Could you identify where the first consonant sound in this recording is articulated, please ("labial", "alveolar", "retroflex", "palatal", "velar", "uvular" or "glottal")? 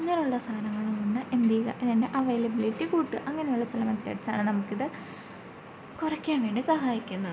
velar